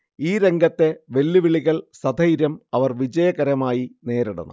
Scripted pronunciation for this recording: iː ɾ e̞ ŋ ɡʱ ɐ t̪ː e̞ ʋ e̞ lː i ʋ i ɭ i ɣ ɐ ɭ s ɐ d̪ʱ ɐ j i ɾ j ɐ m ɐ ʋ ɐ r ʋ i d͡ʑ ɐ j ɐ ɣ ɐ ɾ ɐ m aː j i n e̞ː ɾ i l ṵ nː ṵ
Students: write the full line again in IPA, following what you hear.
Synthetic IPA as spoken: iː ɾ e̞ ŋ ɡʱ ɐ t̪ː e̞ ʋ e̞ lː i ʋ i ɭ i ɣ ɐ ɭ s ɐ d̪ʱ ɐ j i ɾ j ɐ m ɐ ʋ ɐ r ʋ i d͡ʑ ɐ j ɐ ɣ ɐ ɾ ɐ m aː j i n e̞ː ɾ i ɽ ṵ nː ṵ